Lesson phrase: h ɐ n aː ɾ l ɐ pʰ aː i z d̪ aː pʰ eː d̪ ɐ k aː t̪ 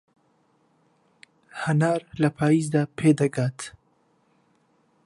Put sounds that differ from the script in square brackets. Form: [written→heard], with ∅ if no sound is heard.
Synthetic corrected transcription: h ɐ n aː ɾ l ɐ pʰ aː i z d̪ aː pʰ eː d̪ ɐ [k→ɡ] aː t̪